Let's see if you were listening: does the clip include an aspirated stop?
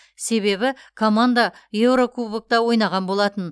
yes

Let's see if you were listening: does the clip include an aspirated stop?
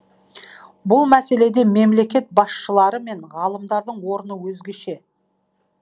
no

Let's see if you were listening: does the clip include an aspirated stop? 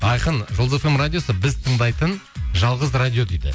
yes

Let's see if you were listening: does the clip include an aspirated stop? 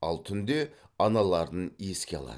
yes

